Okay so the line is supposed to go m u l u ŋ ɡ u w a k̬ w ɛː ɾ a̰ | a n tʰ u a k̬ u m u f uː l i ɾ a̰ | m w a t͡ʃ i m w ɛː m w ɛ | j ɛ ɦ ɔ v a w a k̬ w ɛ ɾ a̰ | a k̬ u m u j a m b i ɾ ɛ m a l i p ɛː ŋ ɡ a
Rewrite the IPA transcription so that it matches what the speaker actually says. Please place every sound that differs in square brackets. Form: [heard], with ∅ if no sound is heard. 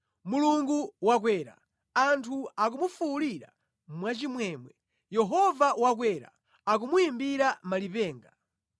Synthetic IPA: m u l u ŋ ɡ u w a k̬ w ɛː ɾ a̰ | a n tʰ u a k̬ u m u f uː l i ɾ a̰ | m w a t͡ʃ i m w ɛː m w ɛ | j ɛ ɦ ɔ v a w a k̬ w ɛ ɾ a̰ | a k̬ u m u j [i] m b i ɾ [a] m a l i p ɛː ŋ ɡ a